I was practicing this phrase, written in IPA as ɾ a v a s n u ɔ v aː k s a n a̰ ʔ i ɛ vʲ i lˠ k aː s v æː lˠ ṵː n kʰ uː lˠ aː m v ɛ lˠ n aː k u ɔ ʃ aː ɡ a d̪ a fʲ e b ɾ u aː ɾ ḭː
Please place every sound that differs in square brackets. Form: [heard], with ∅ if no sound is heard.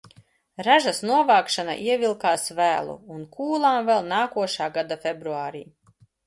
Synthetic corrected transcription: ɾ a [ʒ] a s n u ɔ v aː k [ʃ] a n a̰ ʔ i ɛ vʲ i lˠ k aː s v æː lˠ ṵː n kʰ uː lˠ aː m v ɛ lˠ n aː k u ɔ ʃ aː ɡ a d̪ a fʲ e b ɾ u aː ɾ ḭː